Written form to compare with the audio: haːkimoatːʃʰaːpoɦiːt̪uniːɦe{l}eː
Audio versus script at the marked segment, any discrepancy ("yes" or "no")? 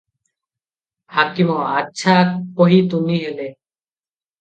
no